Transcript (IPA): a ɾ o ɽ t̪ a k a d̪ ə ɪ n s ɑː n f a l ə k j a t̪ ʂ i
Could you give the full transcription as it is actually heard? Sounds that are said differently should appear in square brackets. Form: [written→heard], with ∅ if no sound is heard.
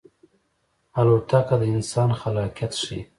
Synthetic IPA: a [ɾ→l] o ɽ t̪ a k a d̪ ə ɪ n s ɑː n [f→x] a l [ə→ɑ] k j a t̪ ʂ i